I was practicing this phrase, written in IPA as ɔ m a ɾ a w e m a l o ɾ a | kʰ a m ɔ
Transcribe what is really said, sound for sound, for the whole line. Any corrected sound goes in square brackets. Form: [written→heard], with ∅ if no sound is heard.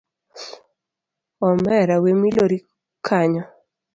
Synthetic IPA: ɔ m [a→ɛ] ɾ a w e m [a→i] l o ɾ [a→i] | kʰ a [m→ɲ] ɔ